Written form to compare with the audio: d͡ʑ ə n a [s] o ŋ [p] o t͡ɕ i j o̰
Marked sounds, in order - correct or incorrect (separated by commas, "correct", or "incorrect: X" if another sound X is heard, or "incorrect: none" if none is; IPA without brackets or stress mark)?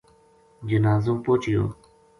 incorrect: z, correct